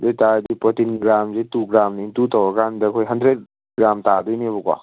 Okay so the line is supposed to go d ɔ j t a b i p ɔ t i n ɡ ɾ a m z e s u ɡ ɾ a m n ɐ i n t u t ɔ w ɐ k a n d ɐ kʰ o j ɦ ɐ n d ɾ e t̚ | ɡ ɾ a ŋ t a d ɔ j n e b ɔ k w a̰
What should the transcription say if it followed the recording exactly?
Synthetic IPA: d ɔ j t a d i p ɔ t i n ɡ ɾ a m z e t u ɡ ɾ a m n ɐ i n t u t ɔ w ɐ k a n d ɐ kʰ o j ɦ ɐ n d ɾ e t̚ | ɡ ɾ a m t a d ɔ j n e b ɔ k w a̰

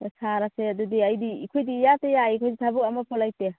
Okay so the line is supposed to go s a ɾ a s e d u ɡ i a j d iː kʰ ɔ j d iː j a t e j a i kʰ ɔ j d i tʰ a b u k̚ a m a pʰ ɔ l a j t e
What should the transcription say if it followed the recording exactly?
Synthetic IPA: s a ɾ a s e d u d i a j d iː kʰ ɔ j d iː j a t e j a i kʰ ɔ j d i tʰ a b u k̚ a m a pʰ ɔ l a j t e

